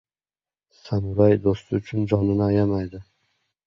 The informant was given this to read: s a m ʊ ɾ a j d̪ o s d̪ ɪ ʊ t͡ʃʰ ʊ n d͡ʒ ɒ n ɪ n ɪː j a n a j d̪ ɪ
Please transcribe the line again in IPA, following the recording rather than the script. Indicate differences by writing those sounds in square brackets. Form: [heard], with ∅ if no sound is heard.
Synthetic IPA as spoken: s a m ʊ ɾ a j d̪ o s [t̪] ɪ ʊ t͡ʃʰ ʊ n d͡ʒ ɒ n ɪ n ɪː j a [m] a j d̪ ɪ